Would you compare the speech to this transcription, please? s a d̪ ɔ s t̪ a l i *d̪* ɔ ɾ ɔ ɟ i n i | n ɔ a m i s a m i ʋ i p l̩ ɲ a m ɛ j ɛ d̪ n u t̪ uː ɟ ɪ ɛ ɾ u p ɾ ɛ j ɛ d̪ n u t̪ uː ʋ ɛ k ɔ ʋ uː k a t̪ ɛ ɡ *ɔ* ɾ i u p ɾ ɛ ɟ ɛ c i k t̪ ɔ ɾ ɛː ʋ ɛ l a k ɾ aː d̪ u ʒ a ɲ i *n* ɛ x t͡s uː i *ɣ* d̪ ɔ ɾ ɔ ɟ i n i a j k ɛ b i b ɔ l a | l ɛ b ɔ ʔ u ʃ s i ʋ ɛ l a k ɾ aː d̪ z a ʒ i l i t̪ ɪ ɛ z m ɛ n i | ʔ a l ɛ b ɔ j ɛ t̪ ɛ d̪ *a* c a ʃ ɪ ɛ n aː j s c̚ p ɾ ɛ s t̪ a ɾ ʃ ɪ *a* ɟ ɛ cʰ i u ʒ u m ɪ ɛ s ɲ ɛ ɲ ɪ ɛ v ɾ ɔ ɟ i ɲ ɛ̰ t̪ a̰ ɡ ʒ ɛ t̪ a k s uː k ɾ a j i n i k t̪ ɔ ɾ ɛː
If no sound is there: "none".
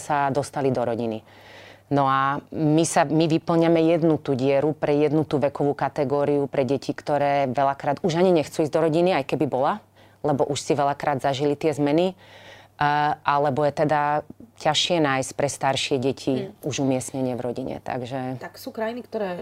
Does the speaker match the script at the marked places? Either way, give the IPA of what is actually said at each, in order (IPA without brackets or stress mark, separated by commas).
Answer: d̪, ɔː, ɲ, z, a, ɛ